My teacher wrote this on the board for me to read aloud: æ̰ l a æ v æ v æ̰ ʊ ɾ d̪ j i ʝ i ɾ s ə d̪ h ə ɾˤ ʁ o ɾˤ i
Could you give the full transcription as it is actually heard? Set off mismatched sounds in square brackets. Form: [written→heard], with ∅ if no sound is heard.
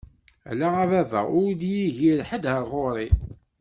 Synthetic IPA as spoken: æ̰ l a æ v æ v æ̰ ʊ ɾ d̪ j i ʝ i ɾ [s→ħ] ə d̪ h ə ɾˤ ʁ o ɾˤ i